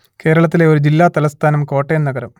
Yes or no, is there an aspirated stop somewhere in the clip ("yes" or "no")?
yes